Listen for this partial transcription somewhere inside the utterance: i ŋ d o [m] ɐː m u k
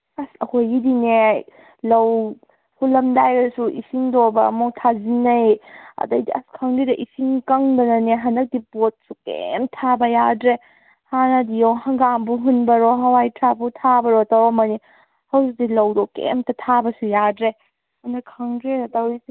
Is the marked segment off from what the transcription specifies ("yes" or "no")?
yes